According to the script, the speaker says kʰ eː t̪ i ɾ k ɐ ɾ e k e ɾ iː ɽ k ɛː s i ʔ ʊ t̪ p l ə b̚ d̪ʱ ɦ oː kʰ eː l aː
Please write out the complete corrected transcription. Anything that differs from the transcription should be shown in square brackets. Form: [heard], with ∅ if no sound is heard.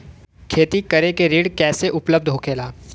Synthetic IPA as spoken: kʰ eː t̪ i [∅] k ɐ ɾ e k e ɾ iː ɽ k ɛː s [e] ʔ ʊ [∅] p l ə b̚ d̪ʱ ɦ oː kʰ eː l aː